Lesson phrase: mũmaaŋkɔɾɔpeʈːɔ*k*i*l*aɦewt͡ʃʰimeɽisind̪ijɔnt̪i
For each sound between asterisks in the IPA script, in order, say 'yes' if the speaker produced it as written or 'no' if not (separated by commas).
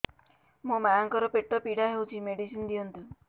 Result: no, no